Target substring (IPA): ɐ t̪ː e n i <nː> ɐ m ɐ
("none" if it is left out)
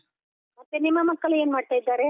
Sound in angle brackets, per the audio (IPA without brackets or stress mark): mː